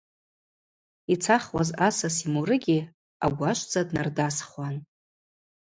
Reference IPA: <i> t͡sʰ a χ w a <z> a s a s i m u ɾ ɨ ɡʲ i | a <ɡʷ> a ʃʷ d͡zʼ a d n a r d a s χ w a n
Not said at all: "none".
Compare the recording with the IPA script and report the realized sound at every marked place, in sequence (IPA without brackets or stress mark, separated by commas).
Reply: i, z, ɡʷ